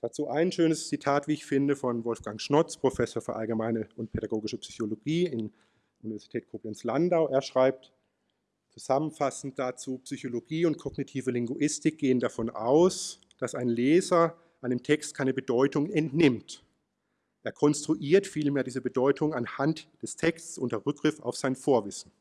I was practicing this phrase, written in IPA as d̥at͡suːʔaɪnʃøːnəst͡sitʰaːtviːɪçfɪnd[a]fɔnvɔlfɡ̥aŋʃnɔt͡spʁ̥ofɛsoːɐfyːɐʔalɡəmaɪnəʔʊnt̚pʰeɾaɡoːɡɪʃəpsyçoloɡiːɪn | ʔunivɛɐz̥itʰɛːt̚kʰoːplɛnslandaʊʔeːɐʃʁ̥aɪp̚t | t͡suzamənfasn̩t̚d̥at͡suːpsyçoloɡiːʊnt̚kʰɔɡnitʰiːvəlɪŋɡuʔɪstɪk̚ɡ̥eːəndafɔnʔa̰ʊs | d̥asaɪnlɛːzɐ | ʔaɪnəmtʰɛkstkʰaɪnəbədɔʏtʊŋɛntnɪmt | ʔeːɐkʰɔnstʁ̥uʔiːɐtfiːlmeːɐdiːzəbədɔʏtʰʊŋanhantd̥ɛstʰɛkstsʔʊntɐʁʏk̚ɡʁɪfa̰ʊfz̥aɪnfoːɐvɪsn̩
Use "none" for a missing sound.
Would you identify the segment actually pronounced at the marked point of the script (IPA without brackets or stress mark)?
ə